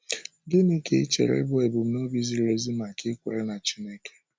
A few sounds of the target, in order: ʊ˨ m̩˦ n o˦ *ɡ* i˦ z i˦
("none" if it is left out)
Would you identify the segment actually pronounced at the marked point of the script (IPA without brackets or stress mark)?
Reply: b